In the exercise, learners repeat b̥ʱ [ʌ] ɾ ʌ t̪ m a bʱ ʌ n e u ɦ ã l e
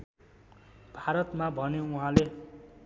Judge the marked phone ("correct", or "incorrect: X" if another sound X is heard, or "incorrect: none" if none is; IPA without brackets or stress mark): incorrect: a